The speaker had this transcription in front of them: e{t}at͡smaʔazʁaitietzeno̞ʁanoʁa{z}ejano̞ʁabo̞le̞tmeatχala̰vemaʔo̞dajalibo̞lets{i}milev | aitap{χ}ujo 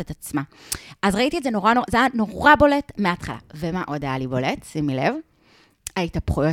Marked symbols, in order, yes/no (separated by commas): yes, yes, yes, yes